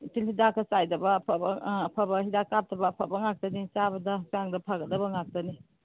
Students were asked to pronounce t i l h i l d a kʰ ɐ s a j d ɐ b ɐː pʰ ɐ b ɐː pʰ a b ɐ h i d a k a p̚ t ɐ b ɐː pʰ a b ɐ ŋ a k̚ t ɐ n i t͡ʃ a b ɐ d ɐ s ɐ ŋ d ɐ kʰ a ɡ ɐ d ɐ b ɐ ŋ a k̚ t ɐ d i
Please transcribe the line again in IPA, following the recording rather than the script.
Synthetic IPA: t i l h i d a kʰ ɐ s a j d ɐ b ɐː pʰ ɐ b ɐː pʰ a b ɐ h i d a k a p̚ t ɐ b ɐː pʰ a b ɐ ŋ a k̚ t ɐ n i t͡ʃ a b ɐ d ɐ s a ŋ d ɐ pʰ a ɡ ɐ d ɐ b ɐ ŋ a k̚ t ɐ n i